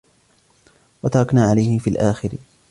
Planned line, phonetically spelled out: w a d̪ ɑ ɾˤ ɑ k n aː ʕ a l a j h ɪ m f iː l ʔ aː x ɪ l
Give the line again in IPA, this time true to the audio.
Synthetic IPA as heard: w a t̪ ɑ ɾˤ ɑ k n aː ʕ a l a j h ɪ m f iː l ʔ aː x ɪ ɾ

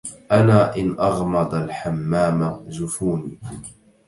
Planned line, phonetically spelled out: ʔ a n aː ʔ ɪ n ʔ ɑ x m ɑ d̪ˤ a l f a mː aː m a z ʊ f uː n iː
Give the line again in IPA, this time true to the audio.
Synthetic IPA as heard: ʔ a n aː ʔ ɪ n ʔ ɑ ɣ m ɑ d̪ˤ a l ħ a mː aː m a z ʊ f uː n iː

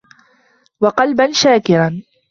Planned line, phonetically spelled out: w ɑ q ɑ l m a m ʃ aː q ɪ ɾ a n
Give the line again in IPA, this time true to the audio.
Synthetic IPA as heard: w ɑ q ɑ l b a n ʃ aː k ɪ ɾ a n

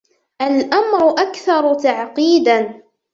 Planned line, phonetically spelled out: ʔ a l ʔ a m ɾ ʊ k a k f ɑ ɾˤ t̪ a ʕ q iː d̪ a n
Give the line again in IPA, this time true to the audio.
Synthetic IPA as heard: ʔ a l ʔ a m ɾ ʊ ʔ a k θ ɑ ɾˤ t̪ a ʕ q iː d̪ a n

